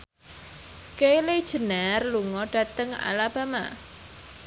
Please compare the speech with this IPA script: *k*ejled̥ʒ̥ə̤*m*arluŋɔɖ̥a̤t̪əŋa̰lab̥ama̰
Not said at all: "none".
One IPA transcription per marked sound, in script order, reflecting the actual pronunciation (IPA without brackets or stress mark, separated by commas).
k, n